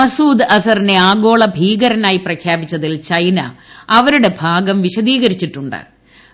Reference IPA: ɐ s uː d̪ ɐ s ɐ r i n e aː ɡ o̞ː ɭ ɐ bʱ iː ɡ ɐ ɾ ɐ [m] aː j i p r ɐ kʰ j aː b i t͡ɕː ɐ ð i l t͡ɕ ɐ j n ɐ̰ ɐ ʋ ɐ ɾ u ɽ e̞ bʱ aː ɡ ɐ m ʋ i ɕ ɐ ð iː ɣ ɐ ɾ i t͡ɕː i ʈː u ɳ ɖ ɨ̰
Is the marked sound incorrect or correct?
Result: incorrect